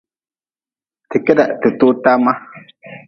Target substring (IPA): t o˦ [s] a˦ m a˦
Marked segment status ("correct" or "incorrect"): incorrect